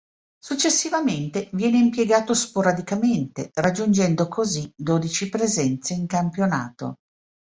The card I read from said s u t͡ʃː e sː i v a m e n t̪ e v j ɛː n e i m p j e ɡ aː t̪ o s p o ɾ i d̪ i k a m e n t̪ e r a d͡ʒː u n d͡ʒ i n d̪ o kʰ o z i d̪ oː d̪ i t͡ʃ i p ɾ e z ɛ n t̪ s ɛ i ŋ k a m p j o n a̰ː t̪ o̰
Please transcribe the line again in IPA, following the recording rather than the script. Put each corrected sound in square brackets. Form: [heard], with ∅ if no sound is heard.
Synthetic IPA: s u t͡ʃː e sː i v a m e n t̪ e v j ɛː n e i m p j e ɡ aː t̪ o s p o ɾ [a] d̪ i k a m e n t̪ e r a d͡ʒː u n d͡ʒ [ɛ] n d̪ o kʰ o z i d̪ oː d̪ i t͡ʃ i p ɾ e z ɛ n t̪ s [e] i ŋ k a m p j o n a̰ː t̪ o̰